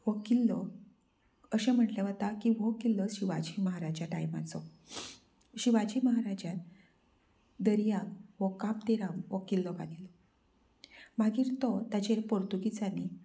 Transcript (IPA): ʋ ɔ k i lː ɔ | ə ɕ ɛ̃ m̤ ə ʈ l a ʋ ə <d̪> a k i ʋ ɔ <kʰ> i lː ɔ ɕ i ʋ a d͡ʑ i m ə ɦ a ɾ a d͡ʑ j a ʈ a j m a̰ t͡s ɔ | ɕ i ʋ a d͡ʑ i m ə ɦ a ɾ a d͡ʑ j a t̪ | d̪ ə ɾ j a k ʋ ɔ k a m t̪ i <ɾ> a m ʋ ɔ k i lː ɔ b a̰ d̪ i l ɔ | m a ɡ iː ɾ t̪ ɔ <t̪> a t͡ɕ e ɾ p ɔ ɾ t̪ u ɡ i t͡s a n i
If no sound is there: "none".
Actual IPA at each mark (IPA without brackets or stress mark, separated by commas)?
t̪, k, ɾ, t̪